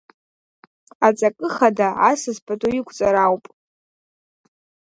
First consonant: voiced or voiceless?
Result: voiceless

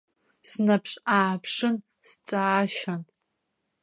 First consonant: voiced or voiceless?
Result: voiceless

